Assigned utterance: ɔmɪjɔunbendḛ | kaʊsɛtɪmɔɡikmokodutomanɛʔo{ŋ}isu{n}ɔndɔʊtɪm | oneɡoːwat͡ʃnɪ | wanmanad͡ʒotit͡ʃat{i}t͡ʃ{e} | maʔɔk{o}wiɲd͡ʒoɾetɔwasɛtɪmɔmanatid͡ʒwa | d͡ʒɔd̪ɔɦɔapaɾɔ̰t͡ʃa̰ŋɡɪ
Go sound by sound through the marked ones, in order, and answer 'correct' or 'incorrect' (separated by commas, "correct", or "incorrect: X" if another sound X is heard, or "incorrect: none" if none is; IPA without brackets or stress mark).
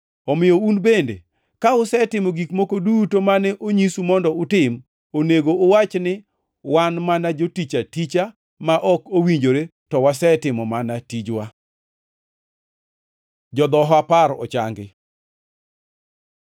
incorrect: ɲ, incorrect: m, correct, incorrect: a, correct